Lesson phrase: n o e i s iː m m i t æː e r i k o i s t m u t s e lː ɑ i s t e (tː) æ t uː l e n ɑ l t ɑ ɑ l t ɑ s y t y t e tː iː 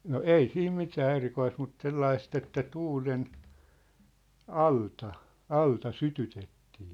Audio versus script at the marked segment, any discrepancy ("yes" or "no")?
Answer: no